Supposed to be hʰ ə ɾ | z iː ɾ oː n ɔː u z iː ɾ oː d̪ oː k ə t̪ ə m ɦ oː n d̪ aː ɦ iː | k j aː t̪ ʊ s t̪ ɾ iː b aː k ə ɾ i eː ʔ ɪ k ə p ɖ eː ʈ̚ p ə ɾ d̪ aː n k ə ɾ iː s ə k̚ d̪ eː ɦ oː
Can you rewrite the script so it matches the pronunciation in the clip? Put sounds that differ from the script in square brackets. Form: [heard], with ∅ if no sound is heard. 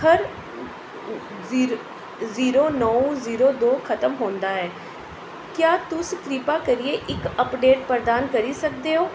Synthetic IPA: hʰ ə ɾ | z iː ɾ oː n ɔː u z iː ɾ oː d̪ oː [kʰ] ə t̪ ə m ɦ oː n d̪ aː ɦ [ɛː] | k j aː t̪ ʊ s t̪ ɾ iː [p] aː k ə ɾ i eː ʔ ɪ k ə p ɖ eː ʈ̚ p ə ɾ d̪ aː n k ə ɾ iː s ə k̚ d̪ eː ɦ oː